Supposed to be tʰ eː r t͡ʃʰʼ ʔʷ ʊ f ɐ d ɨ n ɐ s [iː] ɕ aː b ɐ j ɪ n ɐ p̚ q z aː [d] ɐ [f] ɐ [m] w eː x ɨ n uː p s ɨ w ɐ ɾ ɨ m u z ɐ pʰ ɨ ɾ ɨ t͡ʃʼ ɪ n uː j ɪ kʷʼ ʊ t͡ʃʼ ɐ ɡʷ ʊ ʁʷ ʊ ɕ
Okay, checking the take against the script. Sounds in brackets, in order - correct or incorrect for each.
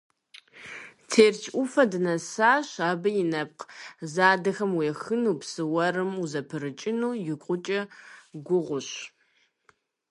incorrect: aː, correct, incorrect: x, correct

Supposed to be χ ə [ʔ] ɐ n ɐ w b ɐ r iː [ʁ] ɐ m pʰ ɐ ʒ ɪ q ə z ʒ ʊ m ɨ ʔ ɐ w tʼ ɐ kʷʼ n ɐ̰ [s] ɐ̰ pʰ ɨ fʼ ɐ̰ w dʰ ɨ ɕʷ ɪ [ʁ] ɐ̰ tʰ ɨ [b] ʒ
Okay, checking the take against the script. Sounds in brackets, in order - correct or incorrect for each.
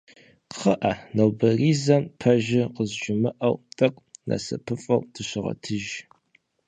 correct, incorrect: z, correct, correct, incorrect: none

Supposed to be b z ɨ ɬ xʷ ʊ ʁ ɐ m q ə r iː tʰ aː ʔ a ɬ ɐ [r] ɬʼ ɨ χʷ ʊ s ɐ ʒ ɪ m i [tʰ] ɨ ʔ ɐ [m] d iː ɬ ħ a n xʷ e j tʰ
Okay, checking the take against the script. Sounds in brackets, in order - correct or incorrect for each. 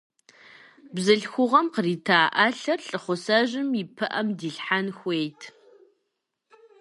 correct, incorrect: pʰ, correct

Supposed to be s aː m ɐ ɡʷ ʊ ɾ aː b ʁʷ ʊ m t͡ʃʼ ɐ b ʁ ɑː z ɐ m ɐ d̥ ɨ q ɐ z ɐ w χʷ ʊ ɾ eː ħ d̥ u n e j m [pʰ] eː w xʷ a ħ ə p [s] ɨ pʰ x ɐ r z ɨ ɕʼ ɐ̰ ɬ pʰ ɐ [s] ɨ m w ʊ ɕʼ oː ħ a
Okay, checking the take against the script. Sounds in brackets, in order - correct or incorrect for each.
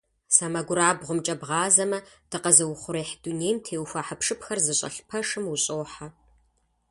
incorrect: tʰ, incorrect: ʂ, incorrect: ʂ

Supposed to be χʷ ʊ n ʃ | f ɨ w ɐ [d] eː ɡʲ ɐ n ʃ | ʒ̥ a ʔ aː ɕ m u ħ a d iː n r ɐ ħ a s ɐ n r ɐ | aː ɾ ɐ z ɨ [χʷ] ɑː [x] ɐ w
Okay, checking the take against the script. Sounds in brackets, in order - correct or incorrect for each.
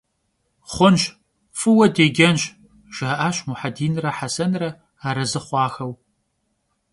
correct, correct, correct

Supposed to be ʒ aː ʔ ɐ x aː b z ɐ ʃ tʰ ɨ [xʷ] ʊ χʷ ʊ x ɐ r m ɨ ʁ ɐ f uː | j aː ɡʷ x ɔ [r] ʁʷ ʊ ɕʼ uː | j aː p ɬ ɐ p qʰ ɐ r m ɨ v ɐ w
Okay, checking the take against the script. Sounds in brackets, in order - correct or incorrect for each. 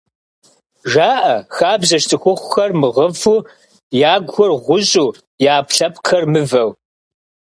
correct, correct

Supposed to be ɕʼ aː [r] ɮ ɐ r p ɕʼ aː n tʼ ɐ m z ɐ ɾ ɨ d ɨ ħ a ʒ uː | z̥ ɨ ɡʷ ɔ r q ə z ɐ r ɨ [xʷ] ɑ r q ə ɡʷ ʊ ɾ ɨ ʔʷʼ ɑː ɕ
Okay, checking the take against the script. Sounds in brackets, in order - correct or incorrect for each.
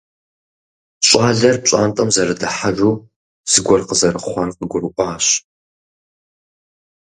incorrect: none, incorrect: χʷ

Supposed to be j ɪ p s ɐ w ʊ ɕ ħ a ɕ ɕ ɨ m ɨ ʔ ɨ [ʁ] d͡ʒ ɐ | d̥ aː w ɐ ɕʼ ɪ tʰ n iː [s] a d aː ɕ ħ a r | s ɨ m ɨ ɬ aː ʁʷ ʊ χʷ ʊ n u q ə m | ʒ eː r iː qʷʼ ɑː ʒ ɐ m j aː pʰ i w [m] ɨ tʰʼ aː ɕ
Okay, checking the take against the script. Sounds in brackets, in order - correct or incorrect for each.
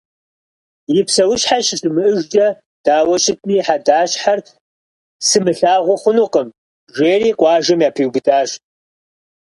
incorrect: ʒ, incorrect: ħ, incorrect: b

